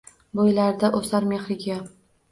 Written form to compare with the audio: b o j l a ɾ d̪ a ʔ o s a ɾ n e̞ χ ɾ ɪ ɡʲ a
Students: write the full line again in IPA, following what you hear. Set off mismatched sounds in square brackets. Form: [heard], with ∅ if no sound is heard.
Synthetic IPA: b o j l a ɾ d̪ a ʔ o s a ɾ [m] e̞ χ ɾ ɪ ɡʲ a